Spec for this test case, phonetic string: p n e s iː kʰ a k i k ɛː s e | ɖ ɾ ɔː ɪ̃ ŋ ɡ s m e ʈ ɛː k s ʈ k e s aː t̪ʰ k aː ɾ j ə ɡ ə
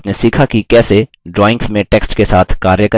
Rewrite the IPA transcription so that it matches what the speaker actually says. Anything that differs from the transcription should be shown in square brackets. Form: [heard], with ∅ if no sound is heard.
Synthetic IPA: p n e s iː kʰ a k i k ɛː s e | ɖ ɾ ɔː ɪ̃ ŋ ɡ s m [ẽ] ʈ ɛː k s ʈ k e s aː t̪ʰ k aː ɾ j ə [k] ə